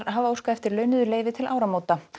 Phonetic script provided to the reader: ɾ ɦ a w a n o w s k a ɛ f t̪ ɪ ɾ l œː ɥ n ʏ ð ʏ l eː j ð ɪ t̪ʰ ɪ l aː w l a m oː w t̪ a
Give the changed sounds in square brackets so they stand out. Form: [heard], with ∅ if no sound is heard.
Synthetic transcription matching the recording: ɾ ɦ a [v] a [∅] o w s k a ɛ f t̪ ɪ ɾ l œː ɥ n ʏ ð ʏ l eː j [v] ɪ t̪ʰ ɪ l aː w [ɾ] a m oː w t̪ a